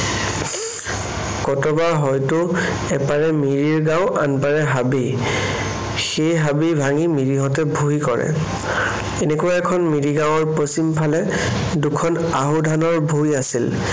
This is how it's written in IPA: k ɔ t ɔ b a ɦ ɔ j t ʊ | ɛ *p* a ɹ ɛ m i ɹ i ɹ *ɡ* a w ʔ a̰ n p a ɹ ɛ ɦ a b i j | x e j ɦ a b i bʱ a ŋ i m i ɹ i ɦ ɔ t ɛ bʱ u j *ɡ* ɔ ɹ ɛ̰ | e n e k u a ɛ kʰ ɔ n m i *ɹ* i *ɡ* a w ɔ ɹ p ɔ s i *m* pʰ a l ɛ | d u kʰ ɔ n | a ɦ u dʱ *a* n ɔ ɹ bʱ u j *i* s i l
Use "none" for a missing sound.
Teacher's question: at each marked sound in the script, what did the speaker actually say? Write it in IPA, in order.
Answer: p, ɡ, k, ɹ, ɡ, m, a, a

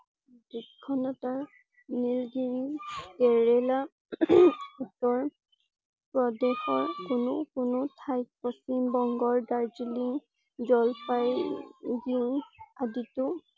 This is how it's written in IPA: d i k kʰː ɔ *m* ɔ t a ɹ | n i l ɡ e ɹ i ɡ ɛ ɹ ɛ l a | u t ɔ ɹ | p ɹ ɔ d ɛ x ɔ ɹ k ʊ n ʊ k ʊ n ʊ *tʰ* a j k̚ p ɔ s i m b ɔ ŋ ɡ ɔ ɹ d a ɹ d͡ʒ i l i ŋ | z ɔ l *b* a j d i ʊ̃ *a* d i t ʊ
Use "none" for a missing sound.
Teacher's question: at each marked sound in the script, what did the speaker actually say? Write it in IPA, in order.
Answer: n, tʰ, p, a

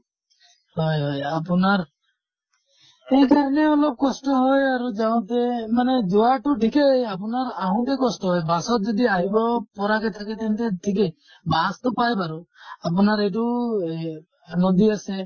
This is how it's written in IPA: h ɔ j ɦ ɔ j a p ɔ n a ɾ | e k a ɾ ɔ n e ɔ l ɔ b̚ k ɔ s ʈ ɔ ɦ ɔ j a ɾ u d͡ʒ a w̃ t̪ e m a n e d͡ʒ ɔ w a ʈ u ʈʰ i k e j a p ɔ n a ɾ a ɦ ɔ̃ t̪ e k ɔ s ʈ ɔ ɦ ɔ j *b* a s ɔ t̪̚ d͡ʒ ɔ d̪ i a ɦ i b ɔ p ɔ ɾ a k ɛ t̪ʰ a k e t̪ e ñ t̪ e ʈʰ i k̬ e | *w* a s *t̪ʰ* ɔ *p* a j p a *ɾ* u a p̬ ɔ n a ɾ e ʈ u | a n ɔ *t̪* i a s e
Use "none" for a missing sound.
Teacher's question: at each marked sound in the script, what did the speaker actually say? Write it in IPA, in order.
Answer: b, b, t̪, p, ɾ, d̪

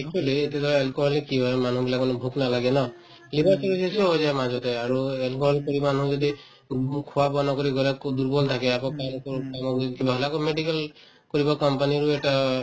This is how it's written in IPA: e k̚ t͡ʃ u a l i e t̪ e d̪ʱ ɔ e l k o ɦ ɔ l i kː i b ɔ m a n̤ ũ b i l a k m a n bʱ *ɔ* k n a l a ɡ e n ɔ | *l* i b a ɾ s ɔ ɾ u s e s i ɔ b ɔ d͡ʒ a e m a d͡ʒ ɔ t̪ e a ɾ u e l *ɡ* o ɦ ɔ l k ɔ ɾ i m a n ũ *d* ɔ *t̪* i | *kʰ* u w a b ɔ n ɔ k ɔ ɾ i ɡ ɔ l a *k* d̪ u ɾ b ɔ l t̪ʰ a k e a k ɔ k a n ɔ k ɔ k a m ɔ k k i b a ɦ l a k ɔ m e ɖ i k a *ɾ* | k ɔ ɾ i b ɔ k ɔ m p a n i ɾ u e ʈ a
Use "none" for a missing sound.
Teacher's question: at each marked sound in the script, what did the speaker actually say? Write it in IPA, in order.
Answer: u, l, k, d͡ʒ, d̪, kʰ, k, l

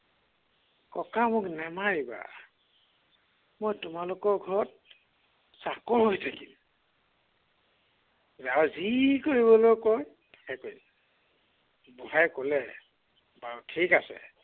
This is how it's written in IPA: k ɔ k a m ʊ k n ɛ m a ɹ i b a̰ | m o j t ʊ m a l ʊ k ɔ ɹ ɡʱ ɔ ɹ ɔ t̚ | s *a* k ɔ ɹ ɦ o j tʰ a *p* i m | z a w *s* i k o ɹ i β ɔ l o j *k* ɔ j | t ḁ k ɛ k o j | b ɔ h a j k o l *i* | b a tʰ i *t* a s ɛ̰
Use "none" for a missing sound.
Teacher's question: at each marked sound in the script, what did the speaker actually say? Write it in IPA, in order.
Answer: a, k, z, k, ɛ, k

